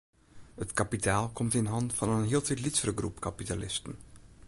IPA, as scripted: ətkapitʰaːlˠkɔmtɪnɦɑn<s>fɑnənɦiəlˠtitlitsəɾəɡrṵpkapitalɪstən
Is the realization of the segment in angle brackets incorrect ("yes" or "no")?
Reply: yes